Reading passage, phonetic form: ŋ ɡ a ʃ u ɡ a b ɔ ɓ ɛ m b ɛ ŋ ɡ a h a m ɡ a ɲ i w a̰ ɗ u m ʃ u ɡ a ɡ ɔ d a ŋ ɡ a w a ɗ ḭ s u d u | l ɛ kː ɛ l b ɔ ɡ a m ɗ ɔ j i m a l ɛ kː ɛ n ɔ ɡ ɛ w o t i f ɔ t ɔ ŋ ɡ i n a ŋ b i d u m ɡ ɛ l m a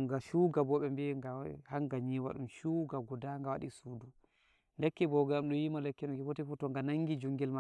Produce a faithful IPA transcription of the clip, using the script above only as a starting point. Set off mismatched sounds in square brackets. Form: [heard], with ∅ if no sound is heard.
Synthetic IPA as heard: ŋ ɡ a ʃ u ɡ a b ɔ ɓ ɛ m b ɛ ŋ ɡ a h a [ŋ] ɡ a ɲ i w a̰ ɗ u m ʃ u ɡ a ɡ ɔ d a ŋ ɡ a w a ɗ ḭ s u d u | l ɛ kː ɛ [∅] b ɔ ɡ a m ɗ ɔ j i m a l ɛ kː ɛ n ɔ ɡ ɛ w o t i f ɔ t ɔ ŋ ɡ [a] n a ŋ [ɡ] i [d͡ʒ] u [ŋ] ɡ ɛ l m a

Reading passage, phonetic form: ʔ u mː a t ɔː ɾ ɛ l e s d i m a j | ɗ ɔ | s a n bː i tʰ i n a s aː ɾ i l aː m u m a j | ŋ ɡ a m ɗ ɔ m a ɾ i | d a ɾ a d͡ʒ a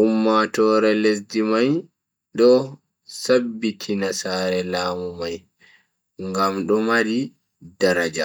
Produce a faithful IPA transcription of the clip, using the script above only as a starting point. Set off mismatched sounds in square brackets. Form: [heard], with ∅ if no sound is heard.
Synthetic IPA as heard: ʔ u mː a t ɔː ɾ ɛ l e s d i m a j | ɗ ɔ | s a [∅] bː i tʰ i n a s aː ɾ [ɛ] l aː m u m a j | ŋ ɡ a m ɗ ɔ m a ɾ i | d a ɾ a d͡ʒ a

